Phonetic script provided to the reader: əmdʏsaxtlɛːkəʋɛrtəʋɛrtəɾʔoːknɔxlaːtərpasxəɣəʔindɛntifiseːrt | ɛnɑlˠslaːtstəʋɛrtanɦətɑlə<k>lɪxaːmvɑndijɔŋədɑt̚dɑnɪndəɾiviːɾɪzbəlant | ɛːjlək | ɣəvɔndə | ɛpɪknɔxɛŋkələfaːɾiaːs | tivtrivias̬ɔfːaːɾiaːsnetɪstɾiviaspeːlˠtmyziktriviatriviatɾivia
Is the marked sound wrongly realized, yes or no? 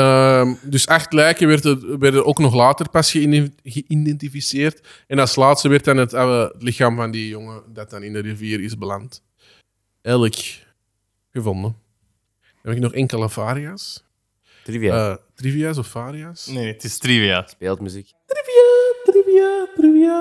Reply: yes